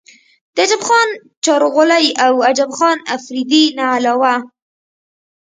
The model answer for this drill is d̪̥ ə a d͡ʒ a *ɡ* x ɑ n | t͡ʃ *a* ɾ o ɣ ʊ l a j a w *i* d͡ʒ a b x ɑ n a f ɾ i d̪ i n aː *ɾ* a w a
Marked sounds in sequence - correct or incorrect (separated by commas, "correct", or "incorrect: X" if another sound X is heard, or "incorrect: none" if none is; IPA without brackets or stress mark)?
incorrect: b, incorrect: ɑ, incorrect: a, incorrect: l